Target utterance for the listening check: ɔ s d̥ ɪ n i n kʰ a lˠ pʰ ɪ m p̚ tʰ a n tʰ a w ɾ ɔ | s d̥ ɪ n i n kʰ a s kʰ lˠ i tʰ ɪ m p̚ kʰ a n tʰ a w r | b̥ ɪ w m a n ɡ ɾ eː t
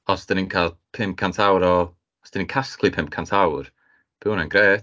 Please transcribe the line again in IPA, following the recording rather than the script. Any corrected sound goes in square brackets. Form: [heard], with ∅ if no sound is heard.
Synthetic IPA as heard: ɔ s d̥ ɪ n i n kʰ a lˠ pʰ ɪ m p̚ [kʰ] a n tʰ a w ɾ ɔ | s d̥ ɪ n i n kʰ a s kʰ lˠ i [pʰ] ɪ m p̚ kʰ a n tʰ a w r | b̥ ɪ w [n] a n ɡ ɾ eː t